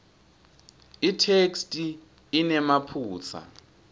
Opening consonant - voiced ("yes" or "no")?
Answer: no